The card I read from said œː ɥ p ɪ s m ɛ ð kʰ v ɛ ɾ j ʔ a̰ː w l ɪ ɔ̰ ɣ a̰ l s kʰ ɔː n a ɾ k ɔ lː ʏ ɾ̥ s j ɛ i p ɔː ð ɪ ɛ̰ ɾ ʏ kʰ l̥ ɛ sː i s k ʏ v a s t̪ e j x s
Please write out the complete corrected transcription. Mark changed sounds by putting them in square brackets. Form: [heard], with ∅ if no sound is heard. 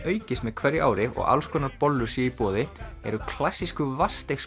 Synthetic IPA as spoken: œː ɥ [c] ɪ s m ɛ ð kʰ v ɛ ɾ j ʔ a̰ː w [ɾ] ɪ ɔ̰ ɣ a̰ l s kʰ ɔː n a ɾ [p] ɔ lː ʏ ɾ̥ s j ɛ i p ɔː ð ɪ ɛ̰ ɾ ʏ kʰ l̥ [a] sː i s k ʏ v a s t̪ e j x s